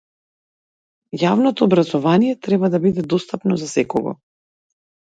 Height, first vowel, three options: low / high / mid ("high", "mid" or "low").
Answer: low